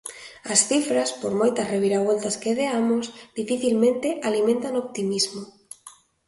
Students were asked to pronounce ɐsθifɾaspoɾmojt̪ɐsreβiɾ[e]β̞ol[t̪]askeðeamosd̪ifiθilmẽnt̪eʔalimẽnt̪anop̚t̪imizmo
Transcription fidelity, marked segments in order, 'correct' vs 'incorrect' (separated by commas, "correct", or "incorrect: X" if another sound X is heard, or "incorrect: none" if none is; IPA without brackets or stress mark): incorrect: a, correct